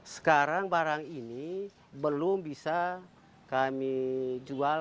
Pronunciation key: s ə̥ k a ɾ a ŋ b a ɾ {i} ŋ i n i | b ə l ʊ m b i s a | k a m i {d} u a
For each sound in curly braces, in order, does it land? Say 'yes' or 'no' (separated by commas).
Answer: no, no